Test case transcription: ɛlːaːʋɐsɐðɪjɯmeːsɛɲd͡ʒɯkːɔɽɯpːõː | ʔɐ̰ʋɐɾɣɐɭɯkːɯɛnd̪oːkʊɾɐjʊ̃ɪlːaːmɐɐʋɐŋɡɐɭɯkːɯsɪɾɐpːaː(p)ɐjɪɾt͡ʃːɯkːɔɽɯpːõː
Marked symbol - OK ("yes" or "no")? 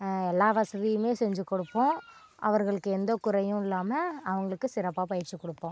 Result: yes